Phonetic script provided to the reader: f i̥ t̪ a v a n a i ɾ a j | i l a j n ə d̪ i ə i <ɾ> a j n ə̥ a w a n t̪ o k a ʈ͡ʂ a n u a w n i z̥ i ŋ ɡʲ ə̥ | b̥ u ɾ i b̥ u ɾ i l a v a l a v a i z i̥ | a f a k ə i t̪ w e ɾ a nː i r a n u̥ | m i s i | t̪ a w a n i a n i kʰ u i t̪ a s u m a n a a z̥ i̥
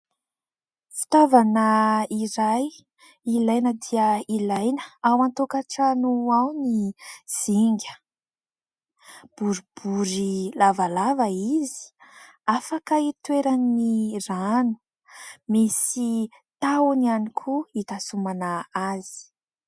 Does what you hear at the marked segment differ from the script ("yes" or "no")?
yes